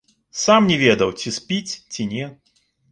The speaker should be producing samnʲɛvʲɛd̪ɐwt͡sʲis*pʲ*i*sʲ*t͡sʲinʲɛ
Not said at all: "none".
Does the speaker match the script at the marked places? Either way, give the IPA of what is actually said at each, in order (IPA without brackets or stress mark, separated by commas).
pʲ, t͡sʲ